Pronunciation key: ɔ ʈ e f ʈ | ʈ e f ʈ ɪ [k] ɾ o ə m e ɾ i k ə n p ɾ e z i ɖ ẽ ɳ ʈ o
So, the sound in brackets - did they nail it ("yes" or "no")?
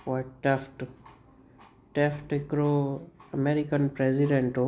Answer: yes